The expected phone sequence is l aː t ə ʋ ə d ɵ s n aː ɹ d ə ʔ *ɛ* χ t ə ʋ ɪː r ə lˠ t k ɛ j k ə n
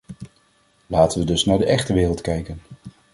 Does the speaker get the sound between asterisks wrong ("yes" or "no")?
no